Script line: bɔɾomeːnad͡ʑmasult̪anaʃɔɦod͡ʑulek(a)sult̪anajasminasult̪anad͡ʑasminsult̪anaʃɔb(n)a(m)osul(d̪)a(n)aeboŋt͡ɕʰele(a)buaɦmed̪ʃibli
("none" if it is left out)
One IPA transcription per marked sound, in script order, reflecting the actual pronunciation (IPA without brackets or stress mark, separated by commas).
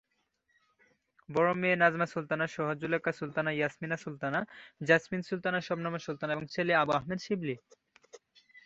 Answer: a, n, m, t̪, n, a